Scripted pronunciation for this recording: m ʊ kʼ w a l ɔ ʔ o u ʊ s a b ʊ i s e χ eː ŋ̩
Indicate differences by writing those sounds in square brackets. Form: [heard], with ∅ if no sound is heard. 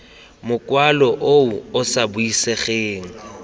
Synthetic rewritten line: m ʊ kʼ w a l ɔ ʔ o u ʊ s a b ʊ i s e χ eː ŋ̩